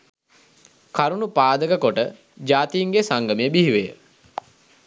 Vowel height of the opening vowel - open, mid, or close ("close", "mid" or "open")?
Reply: open